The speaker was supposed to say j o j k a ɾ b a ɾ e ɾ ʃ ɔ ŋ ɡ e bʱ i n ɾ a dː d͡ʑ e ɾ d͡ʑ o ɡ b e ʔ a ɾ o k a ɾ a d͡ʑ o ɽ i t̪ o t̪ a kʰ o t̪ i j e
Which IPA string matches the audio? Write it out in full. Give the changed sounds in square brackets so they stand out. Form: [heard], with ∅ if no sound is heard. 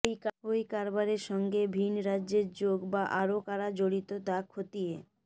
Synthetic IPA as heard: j o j k a ɾ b a ɾ e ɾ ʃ ɔ ŋ ɡ e bʱ i n ɾ a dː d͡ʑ e ɾ d͡ʑ o ɡ b [a] ʔ a ɾ o k a ɾ a d͡ʑ o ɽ i t̪ o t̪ a kʰ o t̪ i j e